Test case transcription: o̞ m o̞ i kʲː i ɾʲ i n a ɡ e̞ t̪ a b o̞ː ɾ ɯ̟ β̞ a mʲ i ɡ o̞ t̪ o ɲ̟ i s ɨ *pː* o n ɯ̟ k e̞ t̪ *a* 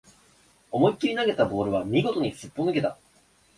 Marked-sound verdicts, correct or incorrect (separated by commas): correct, correct